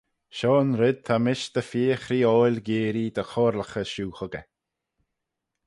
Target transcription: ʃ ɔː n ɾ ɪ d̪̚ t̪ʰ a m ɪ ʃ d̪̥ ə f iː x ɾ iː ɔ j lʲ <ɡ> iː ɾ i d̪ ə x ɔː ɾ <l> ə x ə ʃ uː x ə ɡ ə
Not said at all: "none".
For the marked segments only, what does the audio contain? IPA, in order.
ɡ, l

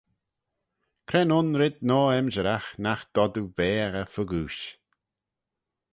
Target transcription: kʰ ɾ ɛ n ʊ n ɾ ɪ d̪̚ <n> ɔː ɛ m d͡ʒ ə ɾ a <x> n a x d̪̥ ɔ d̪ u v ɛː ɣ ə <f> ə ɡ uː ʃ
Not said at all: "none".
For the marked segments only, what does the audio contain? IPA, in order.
n, x, f

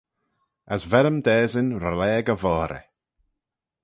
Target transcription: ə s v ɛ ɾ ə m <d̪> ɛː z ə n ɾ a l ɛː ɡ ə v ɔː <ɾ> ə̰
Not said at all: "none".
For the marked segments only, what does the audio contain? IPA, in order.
d̪, ɾ

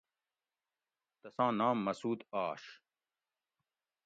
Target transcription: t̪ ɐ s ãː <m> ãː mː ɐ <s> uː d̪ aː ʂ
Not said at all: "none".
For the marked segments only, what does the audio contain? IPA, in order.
n, s

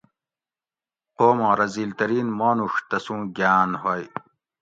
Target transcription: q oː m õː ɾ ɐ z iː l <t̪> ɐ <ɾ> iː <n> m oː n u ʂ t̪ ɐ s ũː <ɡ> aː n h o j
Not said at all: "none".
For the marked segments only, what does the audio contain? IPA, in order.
t̪, ɾ, n, ɡ

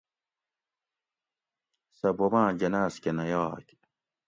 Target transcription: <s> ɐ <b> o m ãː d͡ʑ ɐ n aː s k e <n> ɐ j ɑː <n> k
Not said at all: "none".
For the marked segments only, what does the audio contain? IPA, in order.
s, b, n, none

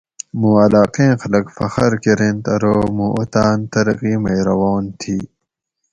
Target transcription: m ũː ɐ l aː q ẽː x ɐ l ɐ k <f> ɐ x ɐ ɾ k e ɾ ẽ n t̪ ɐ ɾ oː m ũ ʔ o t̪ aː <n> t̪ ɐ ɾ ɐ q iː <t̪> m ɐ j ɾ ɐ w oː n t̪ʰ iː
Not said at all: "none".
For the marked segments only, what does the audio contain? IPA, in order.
f, n, none

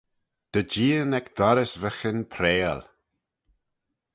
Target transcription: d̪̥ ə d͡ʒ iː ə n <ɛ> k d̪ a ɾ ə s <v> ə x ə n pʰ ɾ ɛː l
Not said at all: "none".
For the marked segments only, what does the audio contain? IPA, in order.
ɛ, v

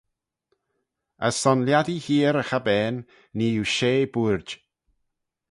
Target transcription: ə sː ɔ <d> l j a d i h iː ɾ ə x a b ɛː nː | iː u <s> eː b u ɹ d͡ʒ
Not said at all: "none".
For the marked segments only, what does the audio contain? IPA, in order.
n, ʃ

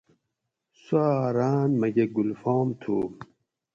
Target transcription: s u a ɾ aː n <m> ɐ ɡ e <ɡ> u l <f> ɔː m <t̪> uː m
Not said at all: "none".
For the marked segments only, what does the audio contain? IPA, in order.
m, ɡ, f, t̪ʰ

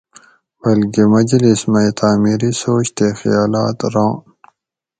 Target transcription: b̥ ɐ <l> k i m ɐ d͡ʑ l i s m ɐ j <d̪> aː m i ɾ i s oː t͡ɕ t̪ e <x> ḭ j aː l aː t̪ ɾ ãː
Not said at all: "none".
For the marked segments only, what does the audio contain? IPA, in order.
l, t̪, x

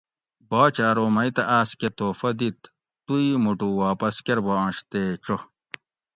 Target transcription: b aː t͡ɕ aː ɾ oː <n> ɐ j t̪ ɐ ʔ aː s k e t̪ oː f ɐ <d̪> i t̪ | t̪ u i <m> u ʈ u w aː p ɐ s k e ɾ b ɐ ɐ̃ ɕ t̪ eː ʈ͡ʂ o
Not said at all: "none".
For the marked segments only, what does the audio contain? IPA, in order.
m, d̪, m

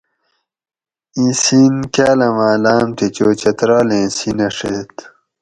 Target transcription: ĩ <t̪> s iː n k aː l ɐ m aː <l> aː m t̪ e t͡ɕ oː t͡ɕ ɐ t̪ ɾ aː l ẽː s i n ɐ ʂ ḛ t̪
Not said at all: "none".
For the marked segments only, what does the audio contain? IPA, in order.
none, l

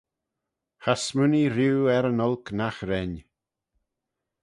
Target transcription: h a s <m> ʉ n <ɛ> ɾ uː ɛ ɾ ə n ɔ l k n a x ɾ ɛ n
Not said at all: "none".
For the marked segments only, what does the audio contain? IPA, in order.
m, i

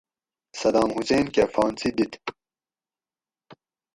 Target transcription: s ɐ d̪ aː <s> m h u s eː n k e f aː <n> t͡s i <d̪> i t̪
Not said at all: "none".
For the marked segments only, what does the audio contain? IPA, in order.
none, n, d̪

